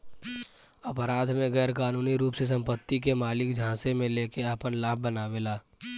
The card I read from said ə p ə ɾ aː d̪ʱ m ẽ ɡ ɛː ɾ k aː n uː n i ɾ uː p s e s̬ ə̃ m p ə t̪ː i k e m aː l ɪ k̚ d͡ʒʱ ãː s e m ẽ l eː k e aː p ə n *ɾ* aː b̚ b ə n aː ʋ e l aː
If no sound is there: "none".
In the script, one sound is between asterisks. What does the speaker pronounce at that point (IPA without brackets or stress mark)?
l